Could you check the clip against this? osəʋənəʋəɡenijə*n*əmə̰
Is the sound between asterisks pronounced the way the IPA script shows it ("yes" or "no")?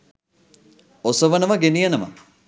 yes